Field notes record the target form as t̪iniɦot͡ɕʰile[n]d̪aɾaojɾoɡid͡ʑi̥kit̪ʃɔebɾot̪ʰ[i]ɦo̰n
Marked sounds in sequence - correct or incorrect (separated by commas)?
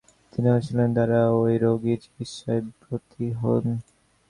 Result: correct, correct